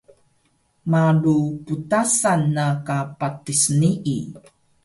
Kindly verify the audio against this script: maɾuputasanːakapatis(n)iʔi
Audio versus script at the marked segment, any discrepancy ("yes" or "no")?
no